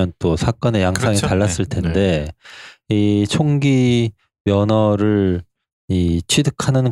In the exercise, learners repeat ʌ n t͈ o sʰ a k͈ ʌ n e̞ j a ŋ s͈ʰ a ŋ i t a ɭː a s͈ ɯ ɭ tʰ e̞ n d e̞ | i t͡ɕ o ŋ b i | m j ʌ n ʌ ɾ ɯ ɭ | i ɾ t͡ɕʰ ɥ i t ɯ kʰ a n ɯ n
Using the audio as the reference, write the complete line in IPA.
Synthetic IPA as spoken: ʌ n t͈ o sʰ a k͈ ʌ n e̞ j a ŋ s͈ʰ a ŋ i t a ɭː a s͈ ɯ ɭ tʰ e̞ n d e̞ | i t͡ɕʰ o ŋ ɡ i | m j ʌ n ʌ ɾ ɯ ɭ | i t͡ɕʰ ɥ i d ɯ kʰ a n ɯ n